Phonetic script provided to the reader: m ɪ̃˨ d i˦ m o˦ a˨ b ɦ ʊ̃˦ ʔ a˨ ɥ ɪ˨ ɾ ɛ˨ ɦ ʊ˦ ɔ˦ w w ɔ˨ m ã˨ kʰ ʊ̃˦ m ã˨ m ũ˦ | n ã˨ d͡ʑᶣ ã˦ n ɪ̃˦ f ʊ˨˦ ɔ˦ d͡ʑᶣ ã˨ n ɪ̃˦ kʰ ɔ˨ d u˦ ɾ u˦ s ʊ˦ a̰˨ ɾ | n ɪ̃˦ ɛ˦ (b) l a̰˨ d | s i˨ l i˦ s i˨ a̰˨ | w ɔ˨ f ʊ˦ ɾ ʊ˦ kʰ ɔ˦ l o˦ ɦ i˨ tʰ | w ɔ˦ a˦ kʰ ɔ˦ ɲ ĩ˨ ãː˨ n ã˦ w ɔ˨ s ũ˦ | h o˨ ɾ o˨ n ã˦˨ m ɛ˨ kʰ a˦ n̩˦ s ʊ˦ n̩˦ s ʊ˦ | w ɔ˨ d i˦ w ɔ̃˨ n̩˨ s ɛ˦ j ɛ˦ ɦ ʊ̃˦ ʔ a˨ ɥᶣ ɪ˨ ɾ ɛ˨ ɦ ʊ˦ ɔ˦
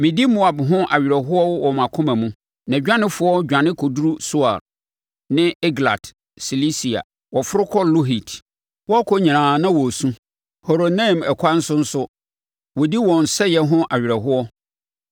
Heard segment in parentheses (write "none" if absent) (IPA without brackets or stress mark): ɡ